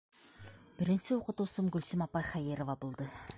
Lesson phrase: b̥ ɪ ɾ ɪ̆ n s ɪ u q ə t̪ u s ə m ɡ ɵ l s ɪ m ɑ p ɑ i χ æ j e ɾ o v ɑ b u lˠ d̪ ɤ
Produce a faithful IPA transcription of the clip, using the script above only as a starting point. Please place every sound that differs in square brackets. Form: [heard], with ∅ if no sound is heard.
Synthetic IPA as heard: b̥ ɪ ɾ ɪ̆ n s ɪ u q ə t̪ u s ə m ɡ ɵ l s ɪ m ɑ p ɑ [j] χ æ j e ɾ o v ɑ b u lˠ d̪ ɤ